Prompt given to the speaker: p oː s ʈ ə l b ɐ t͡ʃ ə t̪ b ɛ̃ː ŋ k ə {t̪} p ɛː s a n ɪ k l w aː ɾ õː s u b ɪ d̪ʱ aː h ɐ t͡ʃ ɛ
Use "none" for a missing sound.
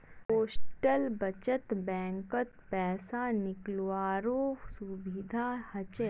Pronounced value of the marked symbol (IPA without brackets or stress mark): t̪